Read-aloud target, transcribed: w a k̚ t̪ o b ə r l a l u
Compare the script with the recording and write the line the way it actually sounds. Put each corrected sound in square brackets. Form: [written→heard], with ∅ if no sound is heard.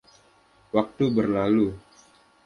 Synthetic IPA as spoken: w a k̚ t̪ [o→u] b ə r l a l u